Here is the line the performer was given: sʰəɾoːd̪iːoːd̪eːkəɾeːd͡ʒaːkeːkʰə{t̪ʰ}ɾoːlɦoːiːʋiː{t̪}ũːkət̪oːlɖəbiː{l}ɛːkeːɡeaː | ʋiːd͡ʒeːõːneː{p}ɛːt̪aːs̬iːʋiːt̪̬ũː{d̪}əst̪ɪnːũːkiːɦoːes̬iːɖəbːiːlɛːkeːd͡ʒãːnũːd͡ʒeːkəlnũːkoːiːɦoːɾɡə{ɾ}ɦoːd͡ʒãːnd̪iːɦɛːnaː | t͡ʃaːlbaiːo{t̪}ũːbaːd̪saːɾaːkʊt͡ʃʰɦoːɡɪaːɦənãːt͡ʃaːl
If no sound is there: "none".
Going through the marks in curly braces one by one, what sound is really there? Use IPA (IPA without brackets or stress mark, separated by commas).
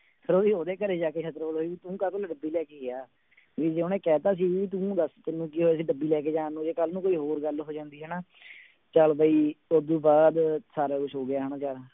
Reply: t̪, t̪, l, k, d̪, l, d̪